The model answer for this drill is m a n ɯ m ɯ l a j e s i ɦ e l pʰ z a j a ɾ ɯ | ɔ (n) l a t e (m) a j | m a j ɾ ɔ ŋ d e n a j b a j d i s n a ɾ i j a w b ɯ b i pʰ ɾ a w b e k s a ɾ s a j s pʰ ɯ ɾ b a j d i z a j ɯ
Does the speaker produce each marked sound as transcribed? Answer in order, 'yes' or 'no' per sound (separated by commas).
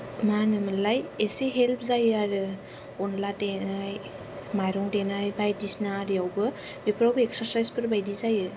yes, no